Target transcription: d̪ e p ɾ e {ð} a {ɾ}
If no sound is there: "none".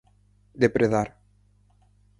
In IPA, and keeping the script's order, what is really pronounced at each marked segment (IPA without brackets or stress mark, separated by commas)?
ð, ɾ